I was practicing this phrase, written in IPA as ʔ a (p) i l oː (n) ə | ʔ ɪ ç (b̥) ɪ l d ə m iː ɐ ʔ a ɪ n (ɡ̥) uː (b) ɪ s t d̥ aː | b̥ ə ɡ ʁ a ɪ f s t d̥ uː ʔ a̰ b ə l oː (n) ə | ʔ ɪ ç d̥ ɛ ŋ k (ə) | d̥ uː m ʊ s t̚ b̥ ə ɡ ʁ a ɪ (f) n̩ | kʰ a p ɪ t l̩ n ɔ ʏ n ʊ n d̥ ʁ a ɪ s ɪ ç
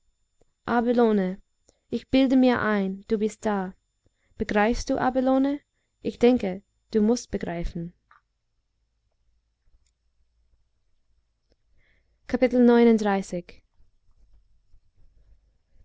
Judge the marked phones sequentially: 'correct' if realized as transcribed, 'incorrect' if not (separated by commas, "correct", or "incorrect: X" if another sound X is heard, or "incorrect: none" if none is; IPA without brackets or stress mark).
incorrect: b, correct, correct, incorrect: d̥, correct, correct, correct, correct